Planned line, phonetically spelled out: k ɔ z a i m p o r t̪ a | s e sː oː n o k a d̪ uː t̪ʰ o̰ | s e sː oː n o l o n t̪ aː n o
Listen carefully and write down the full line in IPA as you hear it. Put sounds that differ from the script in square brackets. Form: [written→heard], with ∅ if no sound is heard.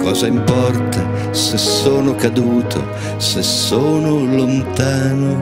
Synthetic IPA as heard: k [ɔ→ɔː] z a i m p [o→ɔ] r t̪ a | s e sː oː n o k a d̪ uː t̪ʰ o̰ | s e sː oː n o l o n t̪ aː n o